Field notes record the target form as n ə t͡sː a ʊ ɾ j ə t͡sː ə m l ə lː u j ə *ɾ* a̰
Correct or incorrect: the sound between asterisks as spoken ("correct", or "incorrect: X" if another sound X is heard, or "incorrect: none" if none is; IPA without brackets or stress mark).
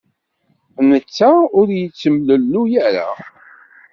correct